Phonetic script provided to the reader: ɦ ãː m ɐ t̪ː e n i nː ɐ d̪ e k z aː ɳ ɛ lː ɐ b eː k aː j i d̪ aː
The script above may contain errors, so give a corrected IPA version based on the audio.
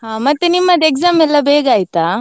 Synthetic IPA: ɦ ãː m ɐ t̪ː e n i mː ɐ d̪ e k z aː m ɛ lː ɐ b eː ɡ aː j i t̪ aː